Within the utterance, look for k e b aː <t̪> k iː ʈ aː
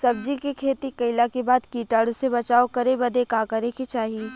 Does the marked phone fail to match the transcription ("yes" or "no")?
yes